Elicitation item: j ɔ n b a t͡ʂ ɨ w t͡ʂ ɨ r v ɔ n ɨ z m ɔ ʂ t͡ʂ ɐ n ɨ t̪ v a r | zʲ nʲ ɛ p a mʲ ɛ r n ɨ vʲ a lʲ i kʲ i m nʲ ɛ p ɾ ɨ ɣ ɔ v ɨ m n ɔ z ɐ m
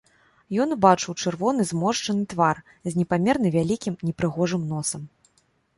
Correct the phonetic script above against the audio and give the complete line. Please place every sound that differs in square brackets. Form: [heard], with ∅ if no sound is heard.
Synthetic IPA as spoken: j ɔ n b a t͡ʂ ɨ w t͡ʂ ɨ r v ɔ n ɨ z m ɔ ʂ t͡ʂ ɐ n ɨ t̪ v a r | zʲ nʲ ɛ p a mʲ ɛ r n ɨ vʲ a lʲ i kʲ i m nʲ ɛ p ɾ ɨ ɣ ɔ [ʐ] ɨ m n ɔ [s] ɐ m